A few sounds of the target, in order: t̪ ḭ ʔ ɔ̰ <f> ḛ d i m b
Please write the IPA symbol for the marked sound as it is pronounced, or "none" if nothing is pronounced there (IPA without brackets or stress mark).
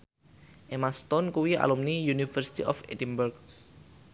f